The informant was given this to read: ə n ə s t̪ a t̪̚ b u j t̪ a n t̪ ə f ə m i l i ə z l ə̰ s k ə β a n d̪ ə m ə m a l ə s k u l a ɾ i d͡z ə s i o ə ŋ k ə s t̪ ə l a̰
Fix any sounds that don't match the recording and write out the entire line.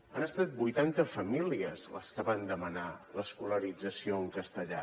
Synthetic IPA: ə n ə s t̪ a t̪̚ b u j t̪ a n t̪ ə f ə m i l i ə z l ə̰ s k ə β a n d̪ ə m ə n a l ə s k u l ə ɾ i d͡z ə s i o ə ŋ k ə s t̪ ə ʎ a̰